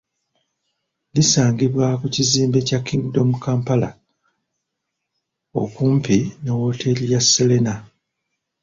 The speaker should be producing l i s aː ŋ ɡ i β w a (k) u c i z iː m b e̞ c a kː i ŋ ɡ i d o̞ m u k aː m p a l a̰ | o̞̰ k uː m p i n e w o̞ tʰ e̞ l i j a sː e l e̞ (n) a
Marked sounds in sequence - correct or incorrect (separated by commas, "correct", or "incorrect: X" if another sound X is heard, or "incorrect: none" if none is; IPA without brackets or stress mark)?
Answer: correct, correct